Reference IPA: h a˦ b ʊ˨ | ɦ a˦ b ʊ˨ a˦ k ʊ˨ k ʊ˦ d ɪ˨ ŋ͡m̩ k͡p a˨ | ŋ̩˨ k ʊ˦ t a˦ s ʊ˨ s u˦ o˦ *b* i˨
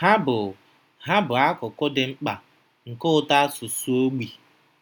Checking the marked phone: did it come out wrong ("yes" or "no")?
yes